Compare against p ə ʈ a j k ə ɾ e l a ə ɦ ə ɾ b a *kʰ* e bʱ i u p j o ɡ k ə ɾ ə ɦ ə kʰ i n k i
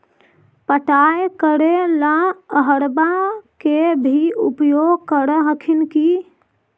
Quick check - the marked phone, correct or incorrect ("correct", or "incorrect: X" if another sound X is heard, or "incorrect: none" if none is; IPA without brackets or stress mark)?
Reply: incorrect: k